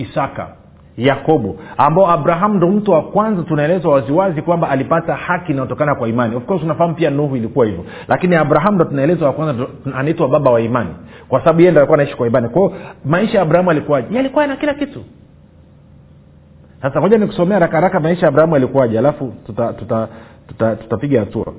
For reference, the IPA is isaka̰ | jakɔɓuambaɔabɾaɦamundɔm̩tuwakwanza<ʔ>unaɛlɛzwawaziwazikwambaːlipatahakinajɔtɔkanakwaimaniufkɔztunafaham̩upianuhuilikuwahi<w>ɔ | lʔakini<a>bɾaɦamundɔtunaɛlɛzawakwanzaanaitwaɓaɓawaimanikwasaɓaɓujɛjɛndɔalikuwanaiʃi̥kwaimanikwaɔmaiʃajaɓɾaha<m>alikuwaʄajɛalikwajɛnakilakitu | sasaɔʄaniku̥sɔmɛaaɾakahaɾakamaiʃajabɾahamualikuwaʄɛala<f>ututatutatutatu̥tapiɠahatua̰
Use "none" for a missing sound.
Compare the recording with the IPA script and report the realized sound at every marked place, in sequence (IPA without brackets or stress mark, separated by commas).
t, v, a, m, f